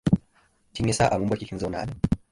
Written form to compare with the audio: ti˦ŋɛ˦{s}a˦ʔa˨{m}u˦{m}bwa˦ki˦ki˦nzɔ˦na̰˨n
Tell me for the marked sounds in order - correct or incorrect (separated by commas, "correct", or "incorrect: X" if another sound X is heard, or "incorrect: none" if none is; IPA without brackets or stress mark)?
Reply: correct, correct, correct